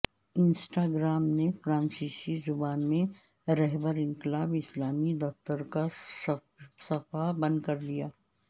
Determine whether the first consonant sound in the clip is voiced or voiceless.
voiced